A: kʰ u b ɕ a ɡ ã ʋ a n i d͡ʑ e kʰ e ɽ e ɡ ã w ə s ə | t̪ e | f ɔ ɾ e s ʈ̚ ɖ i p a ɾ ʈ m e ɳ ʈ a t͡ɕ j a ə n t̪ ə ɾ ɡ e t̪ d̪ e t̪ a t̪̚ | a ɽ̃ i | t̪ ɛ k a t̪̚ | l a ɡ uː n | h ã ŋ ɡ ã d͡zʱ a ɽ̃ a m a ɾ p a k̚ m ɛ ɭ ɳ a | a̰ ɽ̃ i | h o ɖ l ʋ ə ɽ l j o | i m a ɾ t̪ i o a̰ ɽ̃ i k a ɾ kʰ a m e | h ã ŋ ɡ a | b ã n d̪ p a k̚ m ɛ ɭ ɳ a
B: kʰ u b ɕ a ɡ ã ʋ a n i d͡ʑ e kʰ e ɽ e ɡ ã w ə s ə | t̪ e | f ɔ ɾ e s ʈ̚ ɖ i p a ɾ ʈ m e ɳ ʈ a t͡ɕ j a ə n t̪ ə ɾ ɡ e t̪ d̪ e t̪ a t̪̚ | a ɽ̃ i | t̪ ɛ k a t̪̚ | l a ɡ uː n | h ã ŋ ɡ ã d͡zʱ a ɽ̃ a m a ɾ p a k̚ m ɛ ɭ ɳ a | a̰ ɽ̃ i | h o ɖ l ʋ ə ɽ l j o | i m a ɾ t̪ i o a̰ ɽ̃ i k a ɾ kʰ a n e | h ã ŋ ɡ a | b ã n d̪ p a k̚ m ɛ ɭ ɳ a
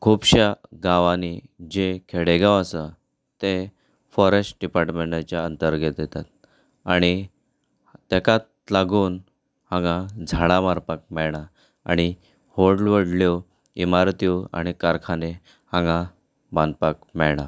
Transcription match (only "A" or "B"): B